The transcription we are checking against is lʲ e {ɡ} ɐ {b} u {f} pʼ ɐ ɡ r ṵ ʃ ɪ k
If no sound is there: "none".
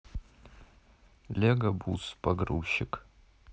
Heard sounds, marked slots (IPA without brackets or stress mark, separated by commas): ɡ, b, s